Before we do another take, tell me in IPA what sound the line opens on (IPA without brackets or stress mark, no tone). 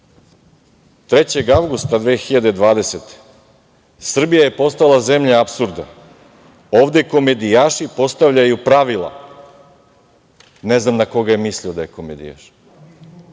t̪